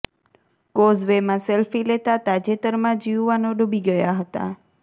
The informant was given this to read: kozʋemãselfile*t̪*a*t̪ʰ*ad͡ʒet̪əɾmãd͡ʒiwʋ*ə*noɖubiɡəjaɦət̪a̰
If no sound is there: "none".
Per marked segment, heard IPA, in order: t̪, t̪, a

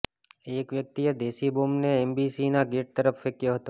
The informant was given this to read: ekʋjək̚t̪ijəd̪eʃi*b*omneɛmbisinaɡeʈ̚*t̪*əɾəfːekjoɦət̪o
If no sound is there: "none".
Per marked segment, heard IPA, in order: b, t̪

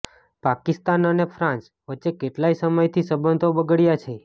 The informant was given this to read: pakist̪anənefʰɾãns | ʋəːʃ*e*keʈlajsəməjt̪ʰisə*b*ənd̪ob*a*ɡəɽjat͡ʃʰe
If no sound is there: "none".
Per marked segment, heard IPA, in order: e, b, ə

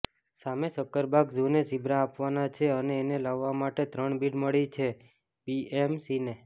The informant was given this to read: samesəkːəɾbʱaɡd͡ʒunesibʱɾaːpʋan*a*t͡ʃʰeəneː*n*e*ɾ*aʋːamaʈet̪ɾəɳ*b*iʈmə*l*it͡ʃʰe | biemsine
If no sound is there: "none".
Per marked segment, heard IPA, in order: a, n, l, b, ɭ

